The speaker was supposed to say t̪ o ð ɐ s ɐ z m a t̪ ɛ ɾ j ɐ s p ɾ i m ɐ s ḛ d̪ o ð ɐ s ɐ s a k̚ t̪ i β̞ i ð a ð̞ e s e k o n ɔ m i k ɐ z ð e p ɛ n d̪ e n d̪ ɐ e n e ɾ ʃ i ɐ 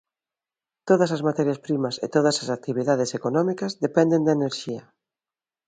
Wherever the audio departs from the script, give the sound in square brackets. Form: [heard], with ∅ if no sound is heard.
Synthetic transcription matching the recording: t̪ o ð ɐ s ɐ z m a t̪ ɛ ɾ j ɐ s p ɾ i m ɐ s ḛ [t̪] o ð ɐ s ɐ s a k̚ t̪ i β̞ i ð a ð̞ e s e k o n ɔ m i k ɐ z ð e p ɛ n d̪ e n d̪ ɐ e n e ɾ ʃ i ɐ